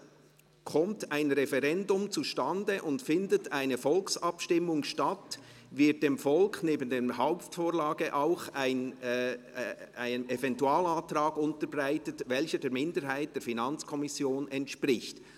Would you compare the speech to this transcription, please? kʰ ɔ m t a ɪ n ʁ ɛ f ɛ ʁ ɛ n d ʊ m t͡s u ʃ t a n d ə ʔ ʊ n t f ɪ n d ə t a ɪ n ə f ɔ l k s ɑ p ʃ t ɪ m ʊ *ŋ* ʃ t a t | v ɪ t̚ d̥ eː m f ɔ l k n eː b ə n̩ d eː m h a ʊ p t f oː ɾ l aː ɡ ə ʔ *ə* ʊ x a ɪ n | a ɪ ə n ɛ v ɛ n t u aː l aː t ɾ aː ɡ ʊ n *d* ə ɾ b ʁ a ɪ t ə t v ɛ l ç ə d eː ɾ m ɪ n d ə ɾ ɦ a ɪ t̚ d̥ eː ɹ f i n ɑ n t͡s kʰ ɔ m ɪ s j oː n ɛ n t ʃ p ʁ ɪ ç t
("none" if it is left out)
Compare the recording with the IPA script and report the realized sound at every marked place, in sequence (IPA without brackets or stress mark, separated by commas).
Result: ŋ, a, t